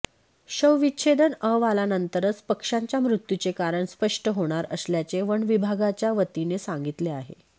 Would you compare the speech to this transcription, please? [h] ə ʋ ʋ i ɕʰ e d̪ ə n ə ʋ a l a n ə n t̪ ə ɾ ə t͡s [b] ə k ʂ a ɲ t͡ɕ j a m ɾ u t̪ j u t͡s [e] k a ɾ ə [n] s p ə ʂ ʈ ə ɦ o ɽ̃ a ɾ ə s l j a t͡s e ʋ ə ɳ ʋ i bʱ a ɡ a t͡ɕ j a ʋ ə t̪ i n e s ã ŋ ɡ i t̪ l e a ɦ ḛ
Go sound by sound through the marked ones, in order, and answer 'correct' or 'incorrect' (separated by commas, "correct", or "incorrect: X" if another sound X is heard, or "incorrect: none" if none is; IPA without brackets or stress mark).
incorrect: ɕ, incorrect: p, correct, incorrect: ɳ